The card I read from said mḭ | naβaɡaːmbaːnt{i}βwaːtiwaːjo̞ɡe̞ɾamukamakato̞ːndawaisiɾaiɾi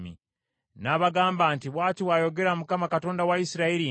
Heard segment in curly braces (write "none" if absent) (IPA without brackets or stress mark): i